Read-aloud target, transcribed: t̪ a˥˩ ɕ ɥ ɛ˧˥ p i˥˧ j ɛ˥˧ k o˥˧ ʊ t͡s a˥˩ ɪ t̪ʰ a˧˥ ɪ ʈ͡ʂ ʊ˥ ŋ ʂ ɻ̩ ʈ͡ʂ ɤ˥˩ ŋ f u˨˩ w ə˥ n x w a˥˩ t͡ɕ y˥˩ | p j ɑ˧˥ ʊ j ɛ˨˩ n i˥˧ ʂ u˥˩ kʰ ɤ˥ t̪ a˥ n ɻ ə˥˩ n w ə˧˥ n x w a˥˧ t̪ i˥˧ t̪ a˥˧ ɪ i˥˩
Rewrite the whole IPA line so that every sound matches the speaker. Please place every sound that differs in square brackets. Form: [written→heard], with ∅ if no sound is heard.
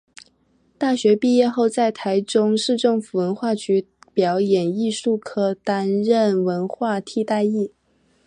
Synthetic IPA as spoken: t̪ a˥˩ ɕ ɥ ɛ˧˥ p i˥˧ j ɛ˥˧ [k→x] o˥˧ ʊ t͡s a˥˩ ɪ t̪ʰ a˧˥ ɪ ʈ͡ʂ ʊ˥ ŋ ʂ ɻ̩ ʈ͡ʂ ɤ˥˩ ŋ f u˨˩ w [ə˥→ə˧˥] n x w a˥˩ t͡ɕ [y˥˩→y˧˥] | p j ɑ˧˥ ʊ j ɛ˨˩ n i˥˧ ʂ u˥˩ kʰ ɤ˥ t̪ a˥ n ɻ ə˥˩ n w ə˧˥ n x w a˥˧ [t̪→t̪ʰ] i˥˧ t̪ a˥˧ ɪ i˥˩